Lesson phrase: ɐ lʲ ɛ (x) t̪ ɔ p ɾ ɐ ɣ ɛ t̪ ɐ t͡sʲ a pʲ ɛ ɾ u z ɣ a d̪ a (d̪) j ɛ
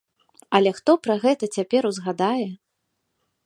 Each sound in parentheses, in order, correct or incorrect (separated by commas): correct, incorrect